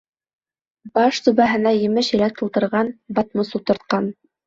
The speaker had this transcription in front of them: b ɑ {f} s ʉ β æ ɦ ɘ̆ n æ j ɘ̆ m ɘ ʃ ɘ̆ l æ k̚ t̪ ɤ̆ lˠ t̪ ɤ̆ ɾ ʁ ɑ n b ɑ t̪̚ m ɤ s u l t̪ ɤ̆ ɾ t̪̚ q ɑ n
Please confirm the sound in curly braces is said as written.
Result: no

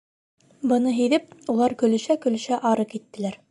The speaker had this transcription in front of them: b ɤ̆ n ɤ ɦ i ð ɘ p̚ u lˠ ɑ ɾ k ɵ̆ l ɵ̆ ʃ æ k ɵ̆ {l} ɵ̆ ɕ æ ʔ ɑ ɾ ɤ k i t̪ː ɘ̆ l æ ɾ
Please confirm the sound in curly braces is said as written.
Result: yes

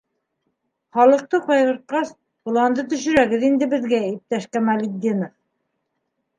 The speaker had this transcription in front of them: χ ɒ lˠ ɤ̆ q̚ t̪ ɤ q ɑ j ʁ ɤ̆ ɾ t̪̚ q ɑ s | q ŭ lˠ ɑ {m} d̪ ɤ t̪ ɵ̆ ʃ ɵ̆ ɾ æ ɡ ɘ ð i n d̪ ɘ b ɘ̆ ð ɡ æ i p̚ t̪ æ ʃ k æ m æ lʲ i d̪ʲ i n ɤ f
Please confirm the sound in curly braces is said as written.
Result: no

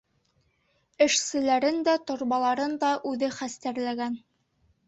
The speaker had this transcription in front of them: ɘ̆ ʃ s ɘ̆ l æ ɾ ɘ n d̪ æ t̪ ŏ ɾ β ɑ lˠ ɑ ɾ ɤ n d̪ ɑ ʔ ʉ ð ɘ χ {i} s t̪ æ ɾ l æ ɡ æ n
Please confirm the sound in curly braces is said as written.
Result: no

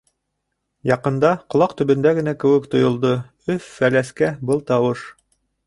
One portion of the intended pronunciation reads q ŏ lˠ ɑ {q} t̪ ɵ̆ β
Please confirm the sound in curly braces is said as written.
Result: yes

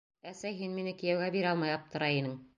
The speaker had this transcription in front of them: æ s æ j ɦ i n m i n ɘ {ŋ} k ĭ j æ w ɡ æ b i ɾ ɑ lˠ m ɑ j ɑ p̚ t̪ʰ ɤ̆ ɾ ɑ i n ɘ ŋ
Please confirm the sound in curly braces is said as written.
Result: no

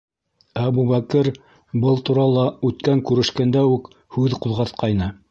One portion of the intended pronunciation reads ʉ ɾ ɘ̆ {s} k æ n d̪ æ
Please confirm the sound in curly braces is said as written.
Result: no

